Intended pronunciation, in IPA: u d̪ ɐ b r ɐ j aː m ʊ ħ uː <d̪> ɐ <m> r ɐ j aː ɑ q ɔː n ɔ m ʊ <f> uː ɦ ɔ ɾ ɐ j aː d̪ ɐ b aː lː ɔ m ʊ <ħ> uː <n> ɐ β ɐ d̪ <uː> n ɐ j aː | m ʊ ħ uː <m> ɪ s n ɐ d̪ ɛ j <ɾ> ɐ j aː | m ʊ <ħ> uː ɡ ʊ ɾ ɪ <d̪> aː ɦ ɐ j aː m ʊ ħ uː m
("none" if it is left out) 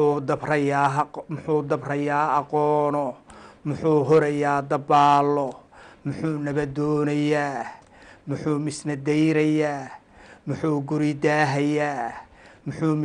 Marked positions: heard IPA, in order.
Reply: d̪, b, ħ, ħ, n, ɔː, m, ɾ, ħ, d̪

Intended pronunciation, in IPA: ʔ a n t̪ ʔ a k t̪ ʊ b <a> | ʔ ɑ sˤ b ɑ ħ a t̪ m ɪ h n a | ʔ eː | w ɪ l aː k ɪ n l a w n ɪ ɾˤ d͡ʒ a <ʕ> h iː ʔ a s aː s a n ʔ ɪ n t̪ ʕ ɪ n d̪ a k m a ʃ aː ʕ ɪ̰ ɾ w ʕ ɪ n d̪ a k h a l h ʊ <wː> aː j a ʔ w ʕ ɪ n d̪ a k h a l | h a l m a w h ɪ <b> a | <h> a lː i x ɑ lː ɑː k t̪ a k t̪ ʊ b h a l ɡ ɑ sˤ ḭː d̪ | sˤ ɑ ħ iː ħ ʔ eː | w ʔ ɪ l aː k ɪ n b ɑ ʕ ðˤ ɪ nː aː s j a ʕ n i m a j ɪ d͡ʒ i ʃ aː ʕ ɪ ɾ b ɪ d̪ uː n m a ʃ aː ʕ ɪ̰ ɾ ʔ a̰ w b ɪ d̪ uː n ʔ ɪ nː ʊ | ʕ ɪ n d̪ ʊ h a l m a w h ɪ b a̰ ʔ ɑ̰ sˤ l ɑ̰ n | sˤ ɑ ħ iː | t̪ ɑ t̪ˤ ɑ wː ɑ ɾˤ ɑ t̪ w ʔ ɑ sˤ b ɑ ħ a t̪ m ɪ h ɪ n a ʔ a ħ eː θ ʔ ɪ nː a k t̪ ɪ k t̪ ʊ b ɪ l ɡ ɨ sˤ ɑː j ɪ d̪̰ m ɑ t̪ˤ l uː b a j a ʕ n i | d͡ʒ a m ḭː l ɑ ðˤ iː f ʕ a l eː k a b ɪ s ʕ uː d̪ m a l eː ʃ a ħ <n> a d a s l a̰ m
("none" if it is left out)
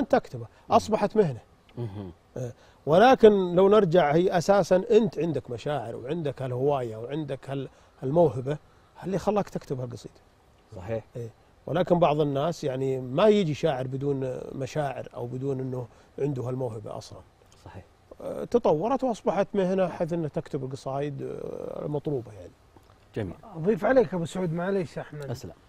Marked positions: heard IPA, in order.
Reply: a, ʕ, w, b, h, m

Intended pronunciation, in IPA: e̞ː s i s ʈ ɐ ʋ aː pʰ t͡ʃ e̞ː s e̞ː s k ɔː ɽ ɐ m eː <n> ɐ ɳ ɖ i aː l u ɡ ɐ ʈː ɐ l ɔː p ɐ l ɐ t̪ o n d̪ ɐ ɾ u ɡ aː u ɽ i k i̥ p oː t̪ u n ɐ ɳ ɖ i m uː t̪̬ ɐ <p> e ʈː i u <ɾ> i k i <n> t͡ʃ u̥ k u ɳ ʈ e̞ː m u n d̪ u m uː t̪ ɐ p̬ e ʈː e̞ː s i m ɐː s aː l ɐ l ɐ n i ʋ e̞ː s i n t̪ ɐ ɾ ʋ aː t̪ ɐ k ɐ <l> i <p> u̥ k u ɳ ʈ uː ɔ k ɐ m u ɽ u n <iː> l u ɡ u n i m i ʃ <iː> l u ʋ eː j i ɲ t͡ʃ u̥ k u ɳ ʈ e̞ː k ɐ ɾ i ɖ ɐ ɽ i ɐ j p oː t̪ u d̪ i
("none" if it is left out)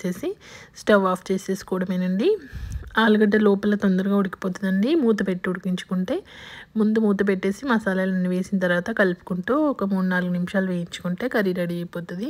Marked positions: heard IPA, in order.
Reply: n, p, ɽ, ɲ, l, p, aː, aː

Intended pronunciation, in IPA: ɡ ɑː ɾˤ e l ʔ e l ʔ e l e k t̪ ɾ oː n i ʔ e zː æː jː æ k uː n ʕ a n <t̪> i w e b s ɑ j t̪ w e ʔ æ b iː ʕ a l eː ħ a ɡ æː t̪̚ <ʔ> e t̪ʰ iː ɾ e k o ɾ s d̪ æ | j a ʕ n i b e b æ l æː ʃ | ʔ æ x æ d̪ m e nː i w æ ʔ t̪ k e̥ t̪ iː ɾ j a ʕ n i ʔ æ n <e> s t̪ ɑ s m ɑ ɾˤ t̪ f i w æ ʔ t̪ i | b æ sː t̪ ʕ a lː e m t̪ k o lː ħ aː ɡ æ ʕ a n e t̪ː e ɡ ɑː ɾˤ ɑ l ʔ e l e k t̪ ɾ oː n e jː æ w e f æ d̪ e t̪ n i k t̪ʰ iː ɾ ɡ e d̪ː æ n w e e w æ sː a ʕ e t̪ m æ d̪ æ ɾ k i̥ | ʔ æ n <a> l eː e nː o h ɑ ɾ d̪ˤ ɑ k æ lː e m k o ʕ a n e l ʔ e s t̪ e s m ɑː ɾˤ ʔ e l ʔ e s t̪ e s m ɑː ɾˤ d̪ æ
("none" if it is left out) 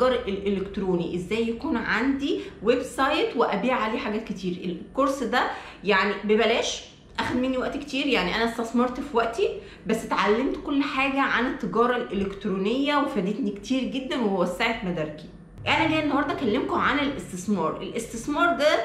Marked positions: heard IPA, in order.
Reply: d̪, k, æ, æ

